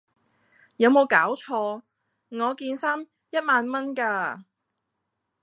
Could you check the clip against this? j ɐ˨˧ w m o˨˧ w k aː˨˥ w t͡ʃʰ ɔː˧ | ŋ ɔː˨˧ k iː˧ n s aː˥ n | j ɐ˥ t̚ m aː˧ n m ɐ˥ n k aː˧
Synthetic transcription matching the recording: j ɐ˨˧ w m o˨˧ w k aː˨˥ w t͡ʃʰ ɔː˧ | ŋ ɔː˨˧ k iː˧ n s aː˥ m | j ɐ˥ t̚ m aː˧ n m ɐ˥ n k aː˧